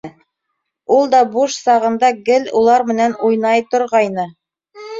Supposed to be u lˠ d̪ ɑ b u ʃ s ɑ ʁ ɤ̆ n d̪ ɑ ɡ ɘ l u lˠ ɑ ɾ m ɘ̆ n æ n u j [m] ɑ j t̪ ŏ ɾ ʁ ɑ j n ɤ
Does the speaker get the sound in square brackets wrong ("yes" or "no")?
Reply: yes